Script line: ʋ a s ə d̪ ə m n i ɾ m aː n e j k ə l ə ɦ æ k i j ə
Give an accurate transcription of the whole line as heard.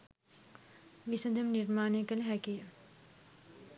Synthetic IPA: ʋ i s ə d̪ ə m n i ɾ m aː n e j k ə l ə ɦ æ k i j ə